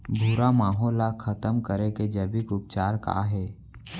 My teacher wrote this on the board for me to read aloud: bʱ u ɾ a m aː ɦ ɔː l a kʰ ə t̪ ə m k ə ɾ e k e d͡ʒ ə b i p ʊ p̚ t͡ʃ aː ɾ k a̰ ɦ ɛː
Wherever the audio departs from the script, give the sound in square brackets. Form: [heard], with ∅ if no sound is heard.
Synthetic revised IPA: bʱ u ɾ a m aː ɦ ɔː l a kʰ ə t̪ ə m k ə ɾ e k e d͡ʒ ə b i [k] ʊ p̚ t͡ʃ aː ɾ k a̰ ɦ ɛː